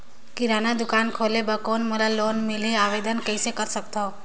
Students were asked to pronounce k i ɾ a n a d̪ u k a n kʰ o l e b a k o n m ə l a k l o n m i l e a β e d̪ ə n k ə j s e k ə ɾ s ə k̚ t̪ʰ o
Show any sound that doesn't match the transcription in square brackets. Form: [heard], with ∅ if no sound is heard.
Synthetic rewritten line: k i ɾ a n a d̪ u k a n kʰ o l e b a k o n m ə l a [∅] l o n m i l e a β e d̪ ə n k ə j s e k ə ɾ s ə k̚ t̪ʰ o